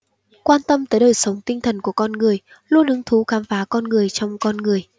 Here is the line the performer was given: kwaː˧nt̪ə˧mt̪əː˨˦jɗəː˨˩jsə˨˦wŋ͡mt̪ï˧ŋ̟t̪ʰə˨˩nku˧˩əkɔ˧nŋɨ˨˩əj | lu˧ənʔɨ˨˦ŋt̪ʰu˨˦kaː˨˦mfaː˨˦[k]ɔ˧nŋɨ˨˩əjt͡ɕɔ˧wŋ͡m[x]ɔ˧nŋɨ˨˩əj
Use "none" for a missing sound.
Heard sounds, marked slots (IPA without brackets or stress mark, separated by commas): k, k